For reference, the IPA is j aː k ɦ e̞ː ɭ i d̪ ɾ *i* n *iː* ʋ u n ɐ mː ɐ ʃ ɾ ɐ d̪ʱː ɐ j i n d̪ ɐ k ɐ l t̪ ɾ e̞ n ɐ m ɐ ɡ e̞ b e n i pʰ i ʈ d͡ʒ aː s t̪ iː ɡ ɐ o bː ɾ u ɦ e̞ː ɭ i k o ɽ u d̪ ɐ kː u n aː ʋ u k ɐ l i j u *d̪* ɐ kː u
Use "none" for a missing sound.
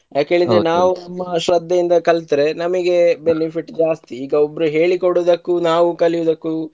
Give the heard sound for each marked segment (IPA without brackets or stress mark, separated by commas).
e, aː, d̪